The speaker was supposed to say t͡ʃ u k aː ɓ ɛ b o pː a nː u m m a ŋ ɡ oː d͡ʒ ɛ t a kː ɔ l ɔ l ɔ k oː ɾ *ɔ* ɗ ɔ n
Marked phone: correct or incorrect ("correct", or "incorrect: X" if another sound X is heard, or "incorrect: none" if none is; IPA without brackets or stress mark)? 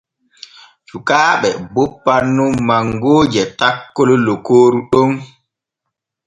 incorrect: u